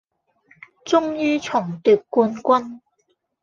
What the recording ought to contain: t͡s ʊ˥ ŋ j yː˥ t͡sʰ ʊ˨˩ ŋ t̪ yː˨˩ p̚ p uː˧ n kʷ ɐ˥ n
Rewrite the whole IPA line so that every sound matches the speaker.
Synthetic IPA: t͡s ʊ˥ ŋ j yː˥ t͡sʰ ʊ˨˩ ŋ t̪ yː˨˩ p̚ k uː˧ n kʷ ɐ˥ n